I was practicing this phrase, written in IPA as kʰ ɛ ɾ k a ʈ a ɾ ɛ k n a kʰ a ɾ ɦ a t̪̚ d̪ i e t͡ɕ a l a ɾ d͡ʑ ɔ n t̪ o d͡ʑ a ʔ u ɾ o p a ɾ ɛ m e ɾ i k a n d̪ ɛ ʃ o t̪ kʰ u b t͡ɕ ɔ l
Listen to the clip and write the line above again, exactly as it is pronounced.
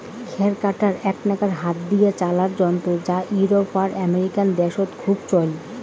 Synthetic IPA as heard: kʰ ɛ ɾ k a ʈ a ɾ ɛ k n a k a ɾ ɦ a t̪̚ d̪ i e t͡ɕ a l a ɾ d͡ʑ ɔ n t̪ o d͡ʑ a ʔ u ɾ o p a ɾ ɛ m e ɾ i k a n d̪ ɛ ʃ o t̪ kʰ u b t͡ɕ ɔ l